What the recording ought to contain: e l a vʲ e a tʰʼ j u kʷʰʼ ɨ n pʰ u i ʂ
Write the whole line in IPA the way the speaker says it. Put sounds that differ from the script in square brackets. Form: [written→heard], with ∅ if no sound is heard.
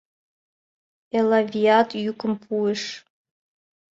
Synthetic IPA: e l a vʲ [e→i] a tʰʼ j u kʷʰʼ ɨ [n→m] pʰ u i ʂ